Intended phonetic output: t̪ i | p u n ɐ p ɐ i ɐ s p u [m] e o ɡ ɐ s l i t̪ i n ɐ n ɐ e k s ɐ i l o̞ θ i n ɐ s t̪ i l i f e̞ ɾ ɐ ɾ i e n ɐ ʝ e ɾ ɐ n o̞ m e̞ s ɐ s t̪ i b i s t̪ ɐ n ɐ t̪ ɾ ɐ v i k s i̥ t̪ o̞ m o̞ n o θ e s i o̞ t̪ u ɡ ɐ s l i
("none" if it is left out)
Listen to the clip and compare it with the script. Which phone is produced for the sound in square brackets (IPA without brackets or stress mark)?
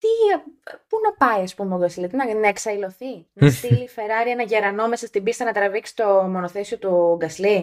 m